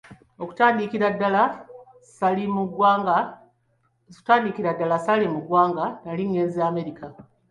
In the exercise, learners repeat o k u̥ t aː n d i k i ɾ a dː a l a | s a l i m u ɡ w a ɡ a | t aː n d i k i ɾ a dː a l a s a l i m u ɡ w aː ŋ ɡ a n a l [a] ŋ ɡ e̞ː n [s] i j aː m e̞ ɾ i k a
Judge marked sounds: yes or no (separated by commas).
no, no